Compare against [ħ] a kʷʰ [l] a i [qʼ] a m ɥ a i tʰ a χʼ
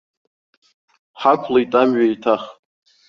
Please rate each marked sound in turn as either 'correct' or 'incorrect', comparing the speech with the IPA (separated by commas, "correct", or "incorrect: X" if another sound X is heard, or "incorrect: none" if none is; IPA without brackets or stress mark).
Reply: correct, correct, incorrect: tʼ